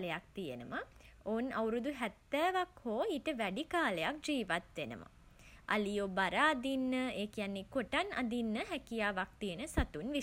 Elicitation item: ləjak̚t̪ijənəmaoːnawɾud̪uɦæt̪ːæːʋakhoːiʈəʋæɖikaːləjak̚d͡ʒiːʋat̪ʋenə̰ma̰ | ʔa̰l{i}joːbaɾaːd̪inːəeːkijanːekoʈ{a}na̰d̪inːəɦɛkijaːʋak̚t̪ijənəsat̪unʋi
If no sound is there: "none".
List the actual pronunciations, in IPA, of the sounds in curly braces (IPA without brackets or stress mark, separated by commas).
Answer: i, a